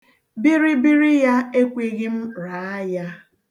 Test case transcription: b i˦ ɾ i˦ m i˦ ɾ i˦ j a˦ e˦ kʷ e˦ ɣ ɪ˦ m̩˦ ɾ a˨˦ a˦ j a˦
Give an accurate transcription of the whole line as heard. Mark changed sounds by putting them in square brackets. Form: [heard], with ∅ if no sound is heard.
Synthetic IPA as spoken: b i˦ ɾ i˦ [b] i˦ ɾ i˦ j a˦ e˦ kʷ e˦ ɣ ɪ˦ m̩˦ ɾ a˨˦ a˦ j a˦